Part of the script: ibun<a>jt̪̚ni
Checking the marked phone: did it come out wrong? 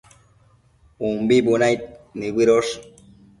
no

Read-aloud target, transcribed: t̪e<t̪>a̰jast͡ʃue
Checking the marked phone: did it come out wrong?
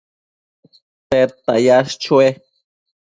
no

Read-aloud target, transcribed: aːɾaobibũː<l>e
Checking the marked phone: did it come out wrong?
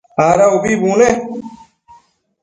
no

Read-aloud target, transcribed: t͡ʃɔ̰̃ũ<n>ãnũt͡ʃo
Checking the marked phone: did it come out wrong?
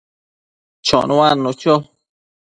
yes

